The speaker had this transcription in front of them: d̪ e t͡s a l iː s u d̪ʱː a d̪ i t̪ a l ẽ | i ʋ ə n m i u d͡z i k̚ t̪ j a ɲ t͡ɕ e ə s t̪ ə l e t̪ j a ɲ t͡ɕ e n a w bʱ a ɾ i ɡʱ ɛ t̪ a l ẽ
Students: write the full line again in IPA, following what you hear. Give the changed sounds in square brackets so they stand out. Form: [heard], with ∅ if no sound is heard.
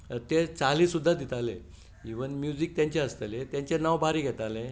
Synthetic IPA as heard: [t̪] e t͡s a l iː s u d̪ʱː a d̪ i t̪ a l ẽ | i ʋ ə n m [j] u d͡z i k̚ t̪ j a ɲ t͡ɕ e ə s t̪ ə l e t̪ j a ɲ t͡ɕ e n a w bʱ a ɾ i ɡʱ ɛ t̪ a l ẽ